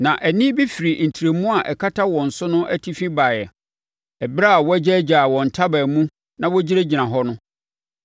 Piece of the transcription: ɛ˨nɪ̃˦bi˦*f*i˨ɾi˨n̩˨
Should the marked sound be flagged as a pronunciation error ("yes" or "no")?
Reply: no